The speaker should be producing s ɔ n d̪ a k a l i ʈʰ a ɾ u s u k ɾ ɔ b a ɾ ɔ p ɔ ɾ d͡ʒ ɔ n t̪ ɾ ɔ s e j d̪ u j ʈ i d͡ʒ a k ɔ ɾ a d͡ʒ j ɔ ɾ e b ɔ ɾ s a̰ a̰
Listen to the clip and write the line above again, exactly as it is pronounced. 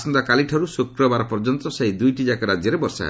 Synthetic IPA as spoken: s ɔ n d̪ a k a l i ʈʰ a ɾ u s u k ɾ ɔ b a ɾ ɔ p ɔ ɾ d͡ʒ ɔ n t̪ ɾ ɔ s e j d̪ u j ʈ i d͡ʒ a k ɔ ɾ a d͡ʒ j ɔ ɾ e b ɔ ɾ s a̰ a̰

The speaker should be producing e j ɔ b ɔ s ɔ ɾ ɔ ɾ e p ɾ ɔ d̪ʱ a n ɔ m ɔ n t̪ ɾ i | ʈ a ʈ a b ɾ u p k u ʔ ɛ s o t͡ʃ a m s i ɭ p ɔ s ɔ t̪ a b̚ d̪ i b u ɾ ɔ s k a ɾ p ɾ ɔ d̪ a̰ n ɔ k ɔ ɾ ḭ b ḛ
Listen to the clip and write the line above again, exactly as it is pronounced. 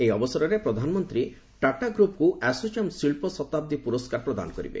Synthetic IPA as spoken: e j ɔ b ɔ s ɔ ɾ ɔ ɾ e p ɾ ɔ d̪ʱ a n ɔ m ɔ n t̪ ɾ i | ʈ a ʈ a ɡ ɾ u p k u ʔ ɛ s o t͡ʃ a m s i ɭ p ɔ s ɔ t̪ a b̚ d̪ i p u ɾ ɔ s k a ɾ p ɾ ɔ d̪ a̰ n ɔ k ɔ ɾ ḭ b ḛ

